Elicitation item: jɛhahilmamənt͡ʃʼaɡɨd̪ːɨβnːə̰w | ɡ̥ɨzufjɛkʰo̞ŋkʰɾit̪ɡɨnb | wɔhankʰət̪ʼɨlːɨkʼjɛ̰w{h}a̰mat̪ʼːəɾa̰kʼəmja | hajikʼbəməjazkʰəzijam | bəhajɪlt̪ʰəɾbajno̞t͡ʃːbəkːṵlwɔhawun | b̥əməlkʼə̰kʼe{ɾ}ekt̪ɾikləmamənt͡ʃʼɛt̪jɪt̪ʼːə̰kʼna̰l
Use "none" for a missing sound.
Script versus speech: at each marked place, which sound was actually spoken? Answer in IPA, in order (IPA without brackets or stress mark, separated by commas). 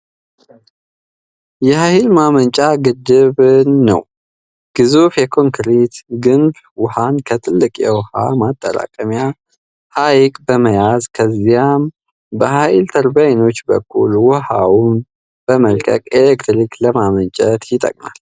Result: h, l